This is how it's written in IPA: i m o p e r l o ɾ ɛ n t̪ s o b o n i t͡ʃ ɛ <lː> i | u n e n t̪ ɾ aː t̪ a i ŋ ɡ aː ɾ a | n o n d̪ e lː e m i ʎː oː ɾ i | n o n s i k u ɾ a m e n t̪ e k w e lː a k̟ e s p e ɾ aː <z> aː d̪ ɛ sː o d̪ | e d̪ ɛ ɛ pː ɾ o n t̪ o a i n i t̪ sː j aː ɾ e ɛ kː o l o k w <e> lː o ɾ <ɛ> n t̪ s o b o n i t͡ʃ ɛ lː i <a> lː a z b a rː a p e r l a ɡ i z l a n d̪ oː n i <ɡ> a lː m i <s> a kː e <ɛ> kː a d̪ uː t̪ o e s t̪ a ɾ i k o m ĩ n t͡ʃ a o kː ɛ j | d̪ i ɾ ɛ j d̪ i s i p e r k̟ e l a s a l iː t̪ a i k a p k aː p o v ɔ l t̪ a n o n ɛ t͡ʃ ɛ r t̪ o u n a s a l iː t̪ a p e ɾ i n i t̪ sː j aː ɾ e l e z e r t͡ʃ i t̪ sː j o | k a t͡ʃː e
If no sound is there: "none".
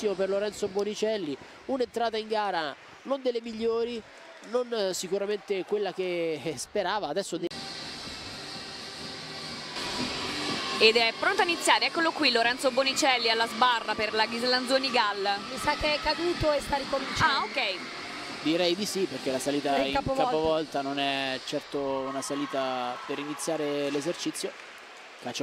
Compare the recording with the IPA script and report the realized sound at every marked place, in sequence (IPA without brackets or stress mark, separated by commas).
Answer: lː, v, i, ɛ, a, ɡ, s, ɛ